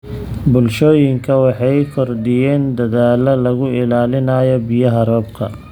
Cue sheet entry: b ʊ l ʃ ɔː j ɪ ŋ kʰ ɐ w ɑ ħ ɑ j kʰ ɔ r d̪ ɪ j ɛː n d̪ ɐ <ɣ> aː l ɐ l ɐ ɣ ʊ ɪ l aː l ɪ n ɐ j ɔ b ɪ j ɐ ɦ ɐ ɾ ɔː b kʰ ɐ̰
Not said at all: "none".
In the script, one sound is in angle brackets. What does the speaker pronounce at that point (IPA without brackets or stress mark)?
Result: ð